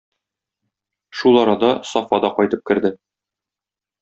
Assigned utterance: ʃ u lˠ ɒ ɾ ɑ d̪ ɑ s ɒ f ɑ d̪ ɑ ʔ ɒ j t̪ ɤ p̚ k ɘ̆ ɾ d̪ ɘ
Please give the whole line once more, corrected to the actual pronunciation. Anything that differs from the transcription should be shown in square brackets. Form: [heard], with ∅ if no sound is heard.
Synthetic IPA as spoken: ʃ u lˠ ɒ ɾ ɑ d̪ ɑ s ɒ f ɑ d̪ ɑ [q] ɒ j t̪ ɤ p̚ k ɘ̆ ɾ d̪ ɘ